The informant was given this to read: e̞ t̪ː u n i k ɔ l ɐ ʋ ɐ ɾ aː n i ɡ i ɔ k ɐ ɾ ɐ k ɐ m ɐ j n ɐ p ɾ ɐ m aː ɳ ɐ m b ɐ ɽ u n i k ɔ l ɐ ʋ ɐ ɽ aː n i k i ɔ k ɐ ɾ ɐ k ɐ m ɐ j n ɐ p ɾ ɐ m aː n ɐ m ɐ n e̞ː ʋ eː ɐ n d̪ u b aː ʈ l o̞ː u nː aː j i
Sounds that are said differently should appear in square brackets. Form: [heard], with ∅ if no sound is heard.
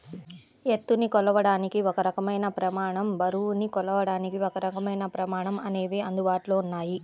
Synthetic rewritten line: e̞ t̪ː u n i k ɔ l ɐ ʋ ɐ [ɽ] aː n i [k] i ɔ k ɐ ɾ ɐ k ɐ m ɐ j n ɐ p ɾ ɐ m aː ɳ ɐ m b ɐ [ɾ] u n i k ɔ l ɐ ʋ ɐ ɽ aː n i k i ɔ k ɐ ɾ ɐ k ɐ m ɐ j n ɐ p ɾ ɐ m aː [ɳ] ɐ m ɐ n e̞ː ʋ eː ɐ n d̪ u b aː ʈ l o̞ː u nː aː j i